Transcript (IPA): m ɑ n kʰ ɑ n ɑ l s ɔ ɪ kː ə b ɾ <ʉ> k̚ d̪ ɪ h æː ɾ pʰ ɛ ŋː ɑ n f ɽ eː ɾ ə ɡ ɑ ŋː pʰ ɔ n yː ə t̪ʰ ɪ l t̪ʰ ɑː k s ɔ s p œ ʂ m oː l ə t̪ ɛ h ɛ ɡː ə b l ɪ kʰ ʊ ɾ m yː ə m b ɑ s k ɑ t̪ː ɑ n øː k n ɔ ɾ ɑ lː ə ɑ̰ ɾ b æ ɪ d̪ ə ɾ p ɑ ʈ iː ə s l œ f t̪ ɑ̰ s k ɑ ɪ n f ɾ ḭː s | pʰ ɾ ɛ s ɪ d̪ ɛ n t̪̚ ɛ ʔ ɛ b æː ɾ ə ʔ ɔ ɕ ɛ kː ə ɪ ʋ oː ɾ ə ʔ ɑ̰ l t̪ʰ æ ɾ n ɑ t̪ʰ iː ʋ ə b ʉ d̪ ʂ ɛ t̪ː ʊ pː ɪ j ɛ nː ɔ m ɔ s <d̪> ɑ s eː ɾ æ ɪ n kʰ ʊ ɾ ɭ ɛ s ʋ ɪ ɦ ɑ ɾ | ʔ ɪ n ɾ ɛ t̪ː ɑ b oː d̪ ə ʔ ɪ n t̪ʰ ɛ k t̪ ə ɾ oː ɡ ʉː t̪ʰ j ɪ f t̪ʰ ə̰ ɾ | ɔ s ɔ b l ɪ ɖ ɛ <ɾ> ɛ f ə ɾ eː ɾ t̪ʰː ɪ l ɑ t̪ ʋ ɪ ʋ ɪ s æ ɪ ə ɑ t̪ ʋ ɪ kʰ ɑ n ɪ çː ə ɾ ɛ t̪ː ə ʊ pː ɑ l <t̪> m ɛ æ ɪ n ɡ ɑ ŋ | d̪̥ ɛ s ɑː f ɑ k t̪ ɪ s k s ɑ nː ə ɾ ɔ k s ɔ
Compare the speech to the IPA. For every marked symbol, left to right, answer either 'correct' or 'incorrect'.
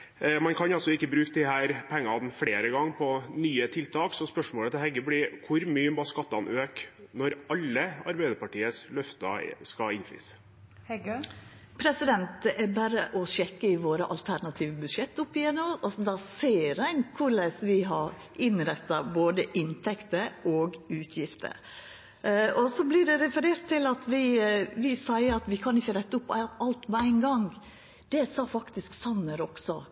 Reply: incorrect: ʉː, correct, correct, correct

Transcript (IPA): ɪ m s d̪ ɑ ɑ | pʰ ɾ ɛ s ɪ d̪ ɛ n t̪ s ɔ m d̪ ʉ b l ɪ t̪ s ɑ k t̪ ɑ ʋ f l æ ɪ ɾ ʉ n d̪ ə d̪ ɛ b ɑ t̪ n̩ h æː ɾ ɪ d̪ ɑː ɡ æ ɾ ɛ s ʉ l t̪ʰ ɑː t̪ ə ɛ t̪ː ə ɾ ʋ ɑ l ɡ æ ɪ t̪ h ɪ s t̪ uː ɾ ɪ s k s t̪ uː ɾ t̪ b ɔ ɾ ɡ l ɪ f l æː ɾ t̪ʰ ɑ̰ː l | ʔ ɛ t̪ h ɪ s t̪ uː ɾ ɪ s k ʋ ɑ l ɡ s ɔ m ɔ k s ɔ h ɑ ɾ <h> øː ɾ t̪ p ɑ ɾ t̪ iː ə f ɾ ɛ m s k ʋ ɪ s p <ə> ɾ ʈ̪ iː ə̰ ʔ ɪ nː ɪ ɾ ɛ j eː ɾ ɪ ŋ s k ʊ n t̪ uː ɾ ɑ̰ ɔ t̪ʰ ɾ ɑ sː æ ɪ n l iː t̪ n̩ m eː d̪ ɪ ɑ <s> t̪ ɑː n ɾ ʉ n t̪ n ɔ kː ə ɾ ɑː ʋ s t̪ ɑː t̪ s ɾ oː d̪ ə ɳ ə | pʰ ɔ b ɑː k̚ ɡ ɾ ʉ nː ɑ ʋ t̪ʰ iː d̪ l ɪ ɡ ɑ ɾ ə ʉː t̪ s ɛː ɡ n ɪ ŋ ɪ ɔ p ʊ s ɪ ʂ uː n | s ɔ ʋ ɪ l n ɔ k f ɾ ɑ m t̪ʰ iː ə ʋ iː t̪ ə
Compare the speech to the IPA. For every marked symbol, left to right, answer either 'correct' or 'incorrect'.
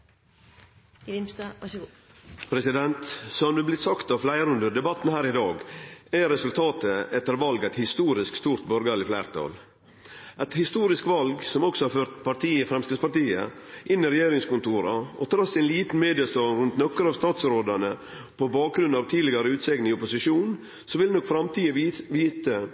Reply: incorrect: f, incorrect: ɑ, correct

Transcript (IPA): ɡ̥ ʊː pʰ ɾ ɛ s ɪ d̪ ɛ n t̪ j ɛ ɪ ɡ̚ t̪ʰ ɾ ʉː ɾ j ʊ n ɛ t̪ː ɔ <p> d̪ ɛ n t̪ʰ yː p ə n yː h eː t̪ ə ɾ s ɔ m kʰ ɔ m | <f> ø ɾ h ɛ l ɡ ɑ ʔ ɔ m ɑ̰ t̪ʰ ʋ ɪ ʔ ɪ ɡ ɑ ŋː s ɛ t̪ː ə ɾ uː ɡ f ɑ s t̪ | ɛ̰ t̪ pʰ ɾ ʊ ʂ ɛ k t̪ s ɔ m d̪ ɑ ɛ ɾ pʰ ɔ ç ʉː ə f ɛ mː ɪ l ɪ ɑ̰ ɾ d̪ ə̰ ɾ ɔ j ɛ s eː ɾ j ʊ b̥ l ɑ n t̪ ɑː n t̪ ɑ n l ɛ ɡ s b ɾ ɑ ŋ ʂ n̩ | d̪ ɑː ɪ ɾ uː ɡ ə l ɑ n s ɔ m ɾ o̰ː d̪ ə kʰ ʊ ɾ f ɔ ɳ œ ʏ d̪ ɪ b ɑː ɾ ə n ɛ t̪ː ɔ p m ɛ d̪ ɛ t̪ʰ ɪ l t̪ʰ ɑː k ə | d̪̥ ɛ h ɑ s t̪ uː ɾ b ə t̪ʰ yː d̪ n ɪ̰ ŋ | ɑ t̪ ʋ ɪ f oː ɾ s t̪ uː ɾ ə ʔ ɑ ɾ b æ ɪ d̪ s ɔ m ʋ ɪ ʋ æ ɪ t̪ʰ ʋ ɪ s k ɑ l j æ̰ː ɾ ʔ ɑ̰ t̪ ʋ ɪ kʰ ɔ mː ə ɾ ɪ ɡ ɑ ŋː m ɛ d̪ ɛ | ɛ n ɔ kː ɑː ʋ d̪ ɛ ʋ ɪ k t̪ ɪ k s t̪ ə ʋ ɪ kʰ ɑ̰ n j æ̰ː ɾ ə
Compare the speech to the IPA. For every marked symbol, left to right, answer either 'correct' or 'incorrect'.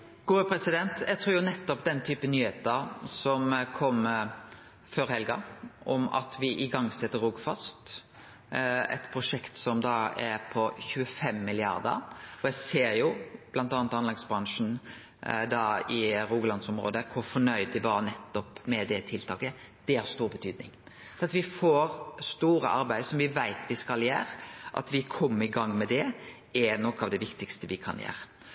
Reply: correct, correct

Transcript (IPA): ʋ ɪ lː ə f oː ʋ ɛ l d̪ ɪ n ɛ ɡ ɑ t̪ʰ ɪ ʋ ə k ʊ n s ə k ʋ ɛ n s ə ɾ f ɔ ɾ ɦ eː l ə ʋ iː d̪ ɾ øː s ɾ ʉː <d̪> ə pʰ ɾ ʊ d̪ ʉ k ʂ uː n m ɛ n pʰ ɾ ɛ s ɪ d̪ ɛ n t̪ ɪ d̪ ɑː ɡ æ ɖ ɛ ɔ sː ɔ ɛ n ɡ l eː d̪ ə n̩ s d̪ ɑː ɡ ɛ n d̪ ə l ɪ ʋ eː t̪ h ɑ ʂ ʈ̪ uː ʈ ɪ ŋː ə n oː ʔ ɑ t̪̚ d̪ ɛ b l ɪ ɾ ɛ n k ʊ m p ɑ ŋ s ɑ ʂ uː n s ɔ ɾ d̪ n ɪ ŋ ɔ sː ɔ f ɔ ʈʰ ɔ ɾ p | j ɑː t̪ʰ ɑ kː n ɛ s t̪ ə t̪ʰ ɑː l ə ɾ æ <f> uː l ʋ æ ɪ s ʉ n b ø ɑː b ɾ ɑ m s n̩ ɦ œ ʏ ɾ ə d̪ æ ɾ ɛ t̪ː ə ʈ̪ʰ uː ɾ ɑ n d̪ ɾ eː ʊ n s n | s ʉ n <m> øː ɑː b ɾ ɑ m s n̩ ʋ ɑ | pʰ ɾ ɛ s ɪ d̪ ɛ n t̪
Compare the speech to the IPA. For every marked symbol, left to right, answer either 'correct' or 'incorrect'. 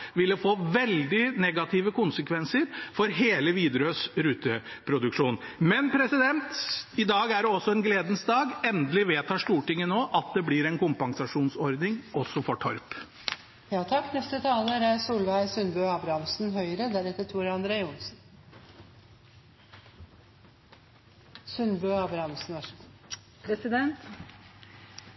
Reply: incorrect: t̪, incorrect: s, incorrect: b

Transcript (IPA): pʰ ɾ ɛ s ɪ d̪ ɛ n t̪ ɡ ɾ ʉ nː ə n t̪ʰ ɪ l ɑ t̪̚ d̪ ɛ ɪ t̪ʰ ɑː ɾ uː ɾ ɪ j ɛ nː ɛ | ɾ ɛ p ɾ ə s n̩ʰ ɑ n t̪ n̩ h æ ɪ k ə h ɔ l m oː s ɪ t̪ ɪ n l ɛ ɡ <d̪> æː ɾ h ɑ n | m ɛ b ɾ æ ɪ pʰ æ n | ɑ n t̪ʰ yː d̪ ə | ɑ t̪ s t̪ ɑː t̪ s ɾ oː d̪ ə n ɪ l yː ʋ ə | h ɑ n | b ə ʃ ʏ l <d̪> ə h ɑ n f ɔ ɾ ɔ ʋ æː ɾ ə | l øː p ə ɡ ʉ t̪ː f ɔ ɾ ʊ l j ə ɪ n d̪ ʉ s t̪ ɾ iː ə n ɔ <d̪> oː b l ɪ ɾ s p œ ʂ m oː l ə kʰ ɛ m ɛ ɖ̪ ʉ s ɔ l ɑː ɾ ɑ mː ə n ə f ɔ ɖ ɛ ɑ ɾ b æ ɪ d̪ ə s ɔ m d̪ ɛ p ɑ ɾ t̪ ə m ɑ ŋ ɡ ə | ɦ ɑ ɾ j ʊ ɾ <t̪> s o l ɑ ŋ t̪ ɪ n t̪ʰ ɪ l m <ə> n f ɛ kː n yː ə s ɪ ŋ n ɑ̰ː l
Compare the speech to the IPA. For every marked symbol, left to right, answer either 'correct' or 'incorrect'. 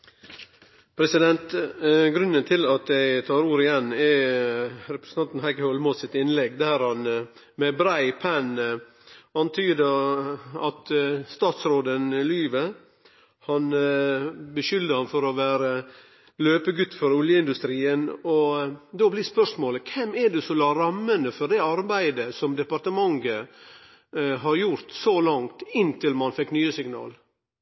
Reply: correct, correct, correct, correct, incorrect: ɑ

